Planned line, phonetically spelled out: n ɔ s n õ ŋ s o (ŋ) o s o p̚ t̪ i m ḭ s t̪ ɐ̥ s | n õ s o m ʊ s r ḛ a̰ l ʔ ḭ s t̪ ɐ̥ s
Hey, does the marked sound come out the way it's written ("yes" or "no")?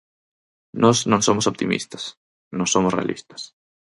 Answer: no